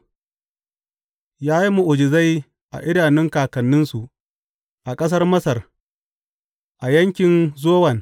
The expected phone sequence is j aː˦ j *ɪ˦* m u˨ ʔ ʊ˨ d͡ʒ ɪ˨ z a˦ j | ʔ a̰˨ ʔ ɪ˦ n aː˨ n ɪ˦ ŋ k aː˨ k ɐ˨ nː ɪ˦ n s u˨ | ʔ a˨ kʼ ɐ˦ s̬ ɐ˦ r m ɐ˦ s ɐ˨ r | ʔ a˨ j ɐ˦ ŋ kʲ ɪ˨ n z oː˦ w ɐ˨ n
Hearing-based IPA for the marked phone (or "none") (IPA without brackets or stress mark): i˦